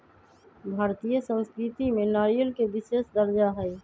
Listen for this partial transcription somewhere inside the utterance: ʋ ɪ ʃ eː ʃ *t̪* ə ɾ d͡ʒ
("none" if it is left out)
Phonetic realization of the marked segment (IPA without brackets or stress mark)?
d̪